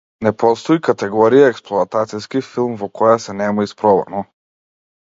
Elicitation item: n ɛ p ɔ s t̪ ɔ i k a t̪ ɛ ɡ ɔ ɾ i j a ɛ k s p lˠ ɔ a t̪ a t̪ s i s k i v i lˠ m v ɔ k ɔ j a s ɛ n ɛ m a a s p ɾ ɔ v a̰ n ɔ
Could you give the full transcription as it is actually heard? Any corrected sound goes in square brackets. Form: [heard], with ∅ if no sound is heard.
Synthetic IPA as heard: n ɛ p ɔ s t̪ ɔ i k a t̪ ɛ ɡ ɔ ɾ i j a ɛ k s p lˠ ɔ a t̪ a t̪ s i s k i [f] i lˠ m v ɔ k ɔ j a s ɛ n ɛ m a [i] s p ɾ ɔ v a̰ n ɔ